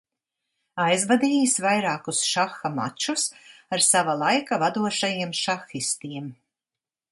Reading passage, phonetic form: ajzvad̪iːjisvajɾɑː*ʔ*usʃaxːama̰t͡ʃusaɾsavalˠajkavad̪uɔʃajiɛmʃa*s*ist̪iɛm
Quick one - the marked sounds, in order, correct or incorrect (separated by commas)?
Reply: incorrect, incorrect